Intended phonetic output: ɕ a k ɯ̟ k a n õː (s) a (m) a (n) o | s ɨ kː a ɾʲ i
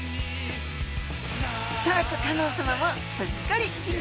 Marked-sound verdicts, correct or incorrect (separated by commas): correct, correct, incorrect